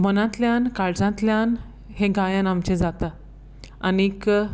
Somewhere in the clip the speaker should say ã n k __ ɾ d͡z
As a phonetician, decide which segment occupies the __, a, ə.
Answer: a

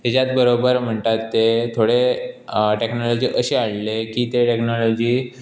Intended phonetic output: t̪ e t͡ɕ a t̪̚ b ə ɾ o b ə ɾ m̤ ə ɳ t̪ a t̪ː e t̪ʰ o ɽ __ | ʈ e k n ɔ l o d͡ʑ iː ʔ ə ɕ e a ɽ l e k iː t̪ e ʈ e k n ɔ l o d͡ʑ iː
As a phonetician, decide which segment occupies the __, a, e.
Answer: e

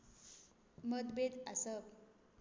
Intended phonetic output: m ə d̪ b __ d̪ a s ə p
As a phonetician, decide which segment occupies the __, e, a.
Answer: e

